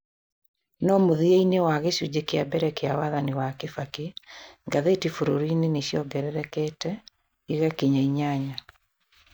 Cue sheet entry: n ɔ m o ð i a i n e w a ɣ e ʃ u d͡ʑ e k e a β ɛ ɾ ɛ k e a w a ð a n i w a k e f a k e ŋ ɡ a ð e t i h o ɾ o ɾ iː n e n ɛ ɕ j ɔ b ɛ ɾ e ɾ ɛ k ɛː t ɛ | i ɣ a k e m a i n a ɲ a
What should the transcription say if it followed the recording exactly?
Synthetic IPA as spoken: n ɔ m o ð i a i n e w a ɣ e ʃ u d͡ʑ e k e a b ɛ ɾ ɛ k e a w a ð a n i w a k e f a k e ŋ ɡ a ð e t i f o ɾ o ɾ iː n e n e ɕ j ɔ ɡ ɛ ɾ ɛ ɾ ɛ k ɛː t ɛ | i ɣ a k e ɲ a i ɲ a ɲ a